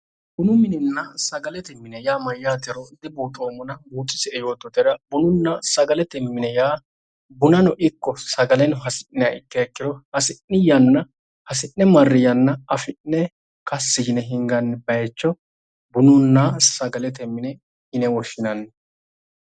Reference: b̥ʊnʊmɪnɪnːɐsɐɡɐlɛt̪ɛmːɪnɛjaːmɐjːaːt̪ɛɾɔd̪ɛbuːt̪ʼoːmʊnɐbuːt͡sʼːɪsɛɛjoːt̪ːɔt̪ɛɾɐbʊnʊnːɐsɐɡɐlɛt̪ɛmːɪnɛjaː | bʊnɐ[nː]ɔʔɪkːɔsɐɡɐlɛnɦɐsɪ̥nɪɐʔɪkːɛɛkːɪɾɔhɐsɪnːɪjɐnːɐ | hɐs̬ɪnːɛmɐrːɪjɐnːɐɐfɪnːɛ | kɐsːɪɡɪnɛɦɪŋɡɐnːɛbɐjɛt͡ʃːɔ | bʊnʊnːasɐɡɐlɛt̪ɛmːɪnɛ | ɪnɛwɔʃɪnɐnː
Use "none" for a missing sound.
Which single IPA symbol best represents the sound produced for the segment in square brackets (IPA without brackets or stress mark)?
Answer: n